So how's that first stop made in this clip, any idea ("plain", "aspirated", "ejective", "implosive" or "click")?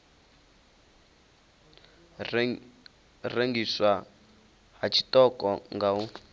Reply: plain